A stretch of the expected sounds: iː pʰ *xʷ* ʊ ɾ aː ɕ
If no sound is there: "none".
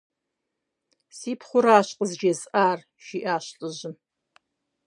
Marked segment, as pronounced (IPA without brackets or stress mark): χʷ